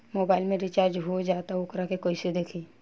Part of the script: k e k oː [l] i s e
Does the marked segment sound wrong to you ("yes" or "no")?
yes